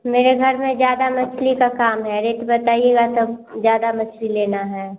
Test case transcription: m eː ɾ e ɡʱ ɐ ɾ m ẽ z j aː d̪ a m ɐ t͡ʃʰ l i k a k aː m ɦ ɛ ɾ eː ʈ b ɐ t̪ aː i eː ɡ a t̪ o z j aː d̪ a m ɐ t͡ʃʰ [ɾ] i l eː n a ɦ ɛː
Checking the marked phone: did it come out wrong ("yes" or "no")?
yes